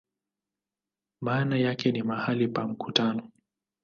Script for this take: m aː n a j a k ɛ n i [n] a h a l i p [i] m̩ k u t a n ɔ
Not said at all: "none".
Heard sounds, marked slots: m, a

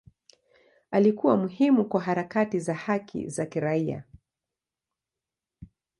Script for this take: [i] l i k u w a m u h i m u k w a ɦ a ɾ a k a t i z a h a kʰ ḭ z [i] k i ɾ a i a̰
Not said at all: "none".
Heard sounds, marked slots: a, a

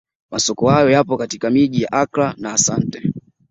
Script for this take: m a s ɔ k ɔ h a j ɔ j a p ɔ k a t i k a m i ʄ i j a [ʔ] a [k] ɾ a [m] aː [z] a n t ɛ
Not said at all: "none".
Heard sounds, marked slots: ʔ, k, n, s

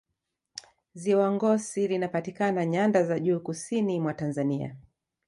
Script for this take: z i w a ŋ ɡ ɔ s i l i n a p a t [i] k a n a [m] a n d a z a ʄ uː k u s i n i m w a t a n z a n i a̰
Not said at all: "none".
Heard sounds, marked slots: i, ɲ

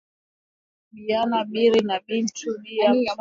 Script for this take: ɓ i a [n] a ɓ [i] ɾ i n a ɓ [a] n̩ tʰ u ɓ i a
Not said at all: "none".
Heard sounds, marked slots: n, i, i

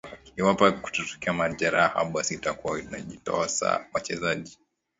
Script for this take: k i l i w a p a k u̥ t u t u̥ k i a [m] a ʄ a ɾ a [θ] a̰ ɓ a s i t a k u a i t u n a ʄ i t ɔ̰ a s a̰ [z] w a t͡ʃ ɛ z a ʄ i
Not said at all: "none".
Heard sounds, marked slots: m, h, none

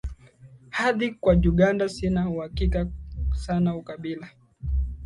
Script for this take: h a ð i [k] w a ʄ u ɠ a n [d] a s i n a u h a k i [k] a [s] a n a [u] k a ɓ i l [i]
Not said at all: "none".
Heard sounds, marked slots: k, d, k, s, u, a

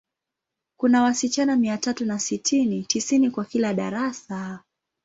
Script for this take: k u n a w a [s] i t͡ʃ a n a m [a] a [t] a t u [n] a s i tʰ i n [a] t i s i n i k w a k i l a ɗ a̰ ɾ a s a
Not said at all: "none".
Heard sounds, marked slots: s, i, t, n, i

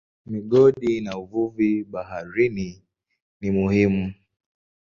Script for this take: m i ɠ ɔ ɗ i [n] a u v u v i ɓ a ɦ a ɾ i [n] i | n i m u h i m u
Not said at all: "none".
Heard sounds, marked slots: n, n

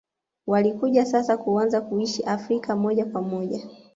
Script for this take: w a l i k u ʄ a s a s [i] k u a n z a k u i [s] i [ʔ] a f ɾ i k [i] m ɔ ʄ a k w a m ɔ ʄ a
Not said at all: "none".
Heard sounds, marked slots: a, ʃ, ʔ, a

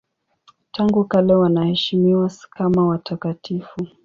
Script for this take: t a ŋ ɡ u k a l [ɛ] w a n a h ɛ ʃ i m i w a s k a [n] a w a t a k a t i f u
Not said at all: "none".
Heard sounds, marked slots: ɛ, m

